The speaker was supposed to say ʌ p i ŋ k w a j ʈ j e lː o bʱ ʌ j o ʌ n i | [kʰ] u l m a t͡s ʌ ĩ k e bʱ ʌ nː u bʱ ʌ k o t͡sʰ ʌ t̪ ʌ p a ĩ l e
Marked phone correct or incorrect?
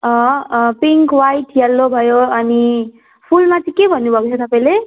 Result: incorrect